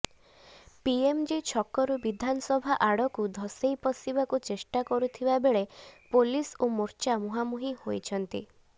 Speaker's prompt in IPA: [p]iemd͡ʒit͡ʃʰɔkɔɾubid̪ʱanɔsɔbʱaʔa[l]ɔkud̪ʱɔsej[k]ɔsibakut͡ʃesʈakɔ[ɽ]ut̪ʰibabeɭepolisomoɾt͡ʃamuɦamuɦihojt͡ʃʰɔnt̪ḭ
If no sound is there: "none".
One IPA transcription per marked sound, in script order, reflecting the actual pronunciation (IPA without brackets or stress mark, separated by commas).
p, ɽ, p, ɾ